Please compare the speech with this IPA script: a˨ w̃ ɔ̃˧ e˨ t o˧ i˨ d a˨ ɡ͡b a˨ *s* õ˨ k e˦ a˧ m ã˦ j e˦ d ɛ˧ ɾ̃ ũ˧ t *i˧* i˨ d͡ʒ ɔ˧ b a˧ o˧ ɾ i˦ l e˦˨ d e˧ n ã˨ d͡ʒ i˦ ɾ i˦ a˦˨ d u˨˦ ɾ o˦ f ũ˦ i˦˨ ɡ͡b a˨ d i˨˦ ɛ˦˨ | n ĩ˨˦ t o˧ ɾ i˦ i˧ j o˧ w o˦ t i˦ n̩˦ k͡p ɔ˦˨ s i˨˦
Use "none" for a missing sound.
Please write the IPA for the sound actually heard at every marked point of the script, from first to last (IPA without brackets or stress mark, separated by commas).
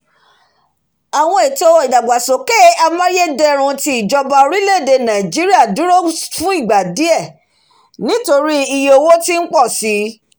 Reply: s, i˧